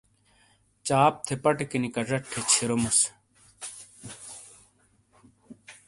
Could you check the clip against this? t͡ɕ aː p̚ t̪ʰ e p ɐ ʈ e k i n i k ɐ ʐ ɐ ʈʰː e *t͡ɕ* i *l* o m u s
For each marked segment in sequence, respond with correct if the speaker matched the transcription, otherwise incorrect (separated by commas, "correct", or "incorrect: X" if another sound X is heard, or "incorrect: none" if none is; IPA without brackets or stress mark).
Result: incorrect: t͡ɕʰ, incorrect: ɾ